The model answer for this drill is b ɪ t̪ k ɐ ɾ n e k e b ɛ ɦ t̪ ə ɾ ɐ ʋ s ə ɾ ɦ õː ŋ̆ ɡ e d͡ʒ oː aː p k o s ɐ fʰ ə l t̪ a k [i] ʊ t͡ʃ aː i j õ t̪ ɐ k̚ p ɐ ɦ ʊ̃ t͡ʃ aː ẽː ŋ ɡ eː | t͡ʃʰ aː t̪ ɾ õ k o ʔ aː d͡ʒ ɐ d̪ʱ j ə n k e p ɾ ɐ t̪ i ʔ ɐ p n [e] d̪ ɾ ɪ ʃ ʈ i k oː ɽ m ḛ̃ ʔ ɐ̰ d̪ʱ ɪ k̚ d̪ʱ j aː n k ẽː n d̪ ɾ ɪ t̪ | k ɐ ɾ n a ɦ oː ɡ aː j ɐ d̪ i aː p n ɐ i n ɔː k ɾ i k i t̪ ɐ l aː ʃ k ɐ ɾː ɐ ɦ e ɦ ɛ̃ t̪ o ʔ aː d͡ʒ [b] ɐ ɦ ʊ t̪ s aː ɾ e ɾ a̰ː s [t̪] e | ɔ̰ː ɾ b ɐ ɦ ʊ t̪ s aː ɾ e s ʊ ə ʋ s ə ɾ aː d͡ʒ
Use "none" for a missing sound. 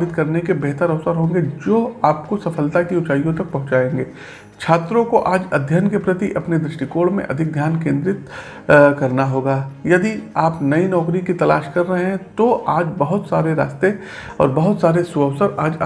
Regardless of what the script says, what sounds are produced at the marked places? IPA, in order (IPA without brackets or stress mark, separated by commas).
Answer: i, e, b, t̪